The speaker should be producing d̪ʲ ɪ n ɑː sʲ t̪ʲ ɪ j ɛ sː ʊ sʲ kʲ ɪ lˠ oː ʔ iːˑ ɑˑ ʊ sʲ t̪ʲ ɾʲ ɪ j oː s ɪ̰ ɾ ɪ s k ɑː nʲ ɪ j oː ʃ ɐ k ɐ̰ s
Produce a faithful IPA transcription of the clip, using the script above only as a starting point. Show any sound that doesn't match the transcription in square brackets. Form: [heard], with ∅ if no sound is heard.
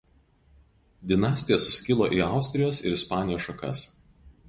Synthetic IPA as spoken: d̪ʲ ɪ n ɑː sʲ t̪ʲ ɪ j ɛ [s] ʊ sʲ kʲ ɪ lˠ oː ʔ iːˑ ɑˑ ʊ sʲ t̪ʲ ɾʲ ɪ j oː s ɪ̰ ɾ ɪ s [p] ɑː nʲ ɪ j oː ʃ ɐ k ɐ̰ s